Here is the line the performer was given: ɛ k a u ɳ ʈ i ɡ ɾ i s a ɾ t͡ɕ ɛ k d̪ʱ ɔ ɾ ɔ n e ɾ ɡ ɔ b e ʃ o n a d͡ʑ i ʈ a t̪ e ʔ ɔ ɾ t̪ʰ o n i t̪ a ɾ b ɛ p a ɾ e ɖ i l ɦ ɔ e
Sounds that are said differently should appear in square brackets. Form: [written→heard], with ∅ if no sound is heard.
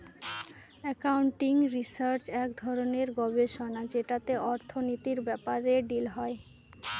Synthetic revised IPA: ɛ k a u ɳ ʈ i [ɡ→ŋ] ɾ i s a ɾ t͡ɕ ɛ k d̪ʱ ɔ ɾ [ɔ→o] n e ɾ ɡ ɔ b e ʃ o n a d͡ʑ [i→e] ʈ a t̪ e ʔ ɔ ɾ t̪ʰ o n i t̪ [a→i] ɾ b ɛ p a ɾ e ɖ i l ɦ ɔ e